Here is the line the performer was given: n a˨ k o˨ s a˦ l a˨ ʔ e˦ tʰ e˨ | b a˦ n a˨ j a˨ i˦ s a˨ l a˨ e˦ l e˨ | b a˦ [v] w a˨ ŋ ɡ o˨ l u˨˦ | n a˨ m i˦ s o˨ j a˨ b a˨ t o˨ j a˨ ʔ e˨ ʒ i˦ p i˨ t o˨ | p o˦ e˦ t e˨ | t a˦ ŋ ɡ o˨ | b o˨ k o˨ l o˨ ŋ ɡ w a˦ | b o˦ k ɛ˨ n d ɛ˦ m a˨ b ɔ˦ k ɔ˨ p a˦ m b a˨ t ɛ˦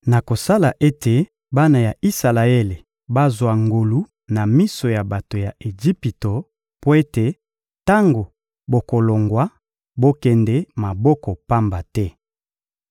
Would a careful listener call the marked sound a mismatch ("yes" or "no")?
yes